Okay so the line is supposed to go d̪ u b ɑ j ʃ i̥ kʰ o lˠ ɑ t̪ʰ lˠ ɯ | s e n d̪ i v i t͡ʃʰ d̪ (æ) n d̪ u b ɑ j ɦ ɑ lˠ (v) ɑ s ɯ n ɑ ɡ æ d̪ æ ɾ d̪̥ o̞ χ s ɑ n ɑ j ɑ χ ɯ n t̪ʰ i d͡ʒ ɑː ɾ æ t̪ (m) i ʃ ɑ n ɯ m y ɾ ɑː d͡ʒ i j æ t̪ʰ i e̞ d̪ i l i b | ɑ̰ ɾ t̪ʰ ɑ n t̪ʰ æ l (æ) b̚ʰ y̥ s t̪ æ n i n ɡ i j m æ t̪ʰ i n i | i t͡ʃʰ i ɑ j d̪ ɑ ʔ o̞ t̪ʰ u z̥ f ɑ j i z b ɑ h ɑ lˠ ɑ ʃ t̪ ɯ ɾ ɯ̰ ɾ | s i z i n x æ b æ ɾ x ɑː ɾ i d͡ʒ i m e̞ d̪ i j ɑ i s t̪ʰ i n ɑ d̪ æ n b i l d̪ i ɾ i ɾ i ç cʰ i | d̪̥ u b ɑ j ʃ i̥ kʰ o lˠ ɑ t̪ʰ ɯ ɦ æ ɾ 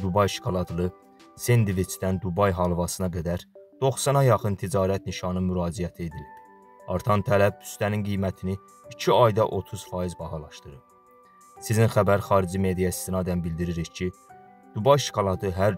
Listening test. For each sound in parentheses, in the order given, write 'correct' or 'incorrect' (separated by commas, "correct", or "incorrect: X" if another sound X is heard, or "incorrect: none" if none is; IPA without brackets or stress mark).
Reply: correct, correct, incorrect: n, correct